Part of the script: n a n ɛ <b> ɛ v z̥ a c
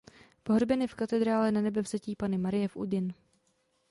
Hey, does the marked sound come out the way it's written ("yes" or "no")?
yes